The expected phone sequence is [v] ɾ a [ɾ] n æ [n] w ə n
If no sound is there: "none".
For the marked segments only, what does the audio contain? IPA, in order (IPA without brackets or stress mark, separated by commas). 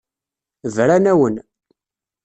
v, none, none